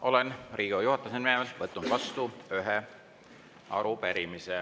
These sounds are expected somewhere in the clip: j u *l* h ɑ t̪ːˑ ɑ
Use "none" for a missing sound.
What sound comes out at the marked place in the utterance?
none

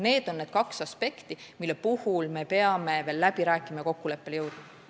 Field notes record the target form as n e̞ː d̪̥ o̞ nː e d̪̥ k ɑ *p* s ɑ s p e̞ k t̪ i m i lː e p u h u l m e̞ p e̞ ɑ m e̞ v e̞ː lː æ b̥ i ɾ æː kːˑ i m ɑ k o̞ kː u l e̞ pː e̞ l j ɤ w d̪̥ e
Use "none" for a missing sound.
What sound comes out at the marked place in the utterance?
k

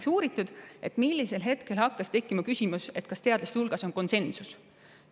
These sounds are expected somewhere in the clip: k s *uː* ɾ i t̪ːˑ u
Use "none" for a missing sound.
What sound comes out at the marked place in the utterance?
uː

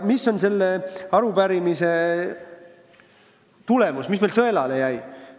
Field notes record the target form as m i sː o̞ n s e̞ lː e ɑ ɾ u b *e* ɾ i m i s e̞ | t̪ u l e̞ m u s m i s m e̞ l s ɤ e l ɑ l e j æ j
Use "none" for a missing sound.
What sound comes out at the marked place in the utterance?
æ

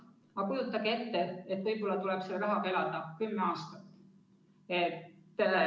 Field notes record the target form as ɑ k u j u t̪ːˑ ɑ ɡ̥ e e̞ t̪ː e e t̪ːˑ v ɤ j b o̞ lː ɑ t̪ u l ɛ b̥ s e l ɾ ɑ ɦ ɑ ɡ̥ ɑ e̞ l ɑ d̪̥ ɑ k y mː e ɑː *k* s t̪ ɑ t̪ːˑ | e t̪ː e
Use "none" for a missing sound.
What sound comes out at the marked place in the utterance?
none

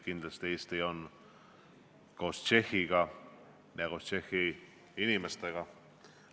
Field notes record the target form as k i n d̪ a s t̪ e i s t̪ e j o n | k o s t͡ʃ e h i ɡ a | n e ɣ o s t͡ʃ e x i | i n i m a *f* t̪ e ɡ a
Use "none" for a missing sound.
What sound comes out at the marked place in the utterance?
s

